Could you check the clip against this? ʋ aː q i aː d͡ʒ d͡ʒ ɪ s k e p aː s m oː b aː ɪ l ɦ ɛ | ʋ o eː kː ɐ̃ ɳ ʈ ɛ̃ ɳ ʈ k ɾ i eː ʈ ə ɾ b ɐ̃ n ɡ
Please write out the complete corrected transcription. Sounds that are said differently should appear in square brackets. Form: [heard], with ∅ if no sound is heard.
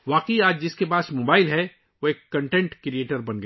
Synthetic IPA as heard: ʋ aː q i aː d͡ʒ d͡ʒ ɪ s k e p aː s m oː b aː ɪ l ɦ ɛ | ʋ o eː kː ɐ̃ ɳ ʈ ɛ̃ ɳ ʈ k ɾ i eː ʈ ə ɾ b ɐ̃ n ɡ